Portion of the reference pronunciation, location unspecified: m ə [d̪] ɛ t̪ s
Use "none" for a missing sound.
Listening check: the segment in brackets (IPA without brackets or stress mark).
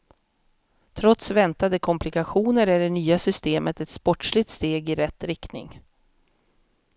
t̪